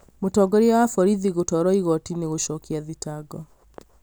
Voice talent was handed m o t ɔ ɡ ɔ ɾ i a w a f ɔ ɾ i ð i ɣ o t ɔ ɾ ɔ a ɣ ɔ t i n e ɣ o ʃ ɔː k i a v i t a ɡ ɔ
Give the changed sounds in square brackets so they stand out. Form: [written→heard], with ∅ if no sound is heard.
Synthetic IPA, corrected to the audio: m o t ɔ ɡ ɔ ɾ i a w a f ɔ ɾ i ð i ɣ o t ɔ ɾ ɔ [a→i] ɣ ɔ t i n e ɣ o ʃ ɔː k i a [v→ð] i t a ɡ ɔ